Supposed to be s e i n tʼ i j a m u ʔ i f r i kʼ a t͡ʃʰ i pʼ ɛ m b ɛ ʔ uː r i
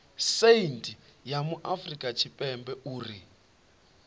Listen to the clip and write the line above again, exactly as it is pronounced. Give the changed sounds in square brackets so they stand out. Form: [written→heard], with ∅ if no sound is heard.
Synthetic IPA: s e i n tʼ i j a m u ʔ [i→a] f r i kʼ a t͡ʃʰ i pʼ ɛ m b ɛ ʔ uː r i